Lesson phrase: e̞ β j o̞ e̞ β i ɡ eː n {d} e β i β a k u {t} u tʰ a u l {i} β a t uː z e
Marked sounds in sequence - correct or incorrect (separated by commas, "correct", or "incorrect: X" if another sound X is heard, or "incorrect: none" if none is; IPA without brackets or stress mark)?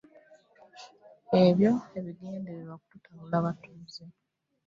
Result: correct, correct, incorrect: a